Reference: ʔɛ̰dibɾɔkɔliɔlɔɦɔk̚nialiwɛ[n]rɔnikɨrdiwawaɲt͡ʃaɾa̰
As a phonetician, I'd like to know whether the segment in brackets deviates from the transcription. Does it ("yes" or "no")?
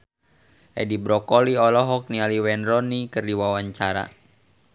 no